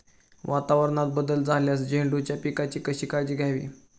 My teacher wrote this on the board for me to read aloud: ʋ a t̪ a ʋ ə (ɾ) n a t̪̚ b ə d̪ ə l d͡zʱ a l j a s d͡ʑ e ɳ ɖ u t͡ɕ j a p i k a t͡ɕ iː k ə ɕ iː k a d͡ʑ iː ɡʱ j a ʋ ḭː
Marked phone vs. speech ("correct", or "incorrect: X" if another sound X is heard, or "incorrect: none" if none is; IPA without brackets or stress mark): correct